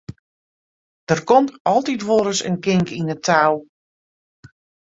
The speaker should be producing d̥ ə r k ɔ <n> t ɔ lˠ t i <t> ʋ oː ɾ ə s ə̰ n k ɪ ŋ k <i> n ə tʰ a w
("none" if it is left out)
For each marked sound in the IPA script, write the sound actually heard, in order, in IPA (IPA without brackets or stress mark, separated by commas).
m, t, i